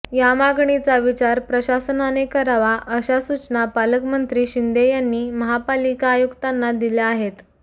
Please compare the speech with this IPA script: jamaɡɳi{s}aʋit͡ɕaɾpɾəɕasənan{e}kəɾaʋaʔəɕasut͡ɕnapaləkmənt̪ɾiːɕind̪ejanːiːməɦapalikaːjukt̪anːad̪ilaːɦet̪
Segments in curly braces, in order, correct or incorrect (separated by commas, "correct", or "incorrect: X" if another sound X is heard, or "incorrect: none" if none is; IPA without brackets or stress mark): incorrect: t͡s, correct